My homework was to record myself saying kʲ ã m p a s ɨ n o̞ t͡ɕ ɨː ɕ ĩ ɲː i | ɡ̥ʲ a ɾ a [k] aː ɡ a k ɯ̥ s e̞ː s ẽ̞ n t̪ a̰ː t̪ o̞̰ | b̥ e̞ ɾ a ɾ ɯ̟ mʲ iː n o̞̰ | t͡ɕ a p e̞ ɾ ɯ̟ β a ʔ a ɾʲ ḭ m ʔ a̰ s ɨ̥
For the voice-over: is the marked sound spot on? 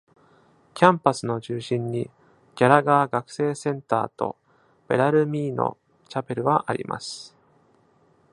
no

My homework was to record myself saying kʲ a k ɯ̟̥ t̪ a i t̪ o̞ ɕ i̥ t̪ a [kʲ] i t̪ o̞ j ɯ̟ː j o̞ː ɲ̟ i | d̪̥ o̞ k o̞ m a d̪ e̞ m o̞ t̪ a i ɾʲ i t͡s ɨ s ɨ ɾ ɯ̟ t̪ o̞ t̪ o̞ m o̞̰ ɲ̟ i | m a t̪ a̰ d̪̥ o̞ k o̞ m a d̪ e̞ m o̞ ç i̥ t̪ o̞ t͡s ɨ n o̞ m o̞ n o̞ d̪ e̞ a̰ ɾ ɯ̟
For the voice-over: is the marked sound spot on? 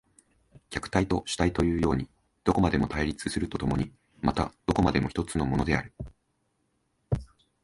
no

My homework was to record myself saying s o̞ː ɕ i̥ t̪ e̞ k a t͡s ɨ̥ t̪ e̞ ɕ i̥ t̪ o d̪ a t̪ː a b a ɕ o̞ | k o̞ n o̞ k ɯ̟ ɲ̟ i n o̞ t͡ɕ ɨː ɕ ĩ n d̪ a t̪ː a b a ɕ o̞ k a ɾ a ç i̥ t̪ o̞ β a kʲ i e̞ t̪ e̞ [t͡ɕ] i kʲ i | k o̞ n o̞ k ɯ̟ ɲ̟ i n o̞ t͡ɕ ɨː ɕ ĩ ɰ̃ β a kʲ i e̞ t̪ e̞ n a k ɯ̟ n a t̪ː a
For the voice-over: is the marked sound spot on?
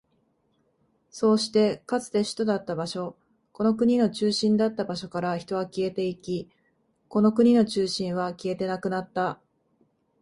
no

